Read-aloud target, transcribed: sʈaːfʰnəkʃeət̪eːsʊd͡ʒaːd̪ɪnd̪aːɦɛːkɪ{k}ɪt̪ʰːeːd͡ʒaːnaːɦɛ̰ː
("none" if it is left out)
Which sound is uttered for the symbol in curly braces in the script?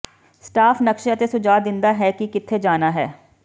k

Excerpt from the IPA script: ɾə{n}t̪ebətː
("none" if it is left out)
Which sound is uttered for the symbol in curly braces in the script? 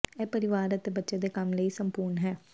none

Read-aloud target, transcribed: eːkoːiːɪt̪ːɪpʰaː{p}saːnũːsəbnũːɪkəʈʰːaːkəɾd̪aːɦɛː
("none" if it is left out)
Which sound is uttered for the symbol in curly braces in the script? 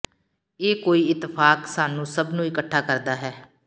k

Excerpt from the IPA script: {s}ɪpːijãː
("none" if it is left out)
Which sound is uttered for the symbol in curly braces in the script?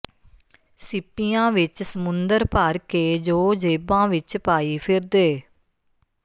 s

